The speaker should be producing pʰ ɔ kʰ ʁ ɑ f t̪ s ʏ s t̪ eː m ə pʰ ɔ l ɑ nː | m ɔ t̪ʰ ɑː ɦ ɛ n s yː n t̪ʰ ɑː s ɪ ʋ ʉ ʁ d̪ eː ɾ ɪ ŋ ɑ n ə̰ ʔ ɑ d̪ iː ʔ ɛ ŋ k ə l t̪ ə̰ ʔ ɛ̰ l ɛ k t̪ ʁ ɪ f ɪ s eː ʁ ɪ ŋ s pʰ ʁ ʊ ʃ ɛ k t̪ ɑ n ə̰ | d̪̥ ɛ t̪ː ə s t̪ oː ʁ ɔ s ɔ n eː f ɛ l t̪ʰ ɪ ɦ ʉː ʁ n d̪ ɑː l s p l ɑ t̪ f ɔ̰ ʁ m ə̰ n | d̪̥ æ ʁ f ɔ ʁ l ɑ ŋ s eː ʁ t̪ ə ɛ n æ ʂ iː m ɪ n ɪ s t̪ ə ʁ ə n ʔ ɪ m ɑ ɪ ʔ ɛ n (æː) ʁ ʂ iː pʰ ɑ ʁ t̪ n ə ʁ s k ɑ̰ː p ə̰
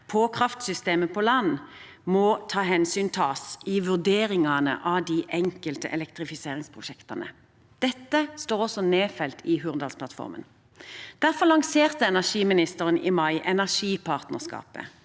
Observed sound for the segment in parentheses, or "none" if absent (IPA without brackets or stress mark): æ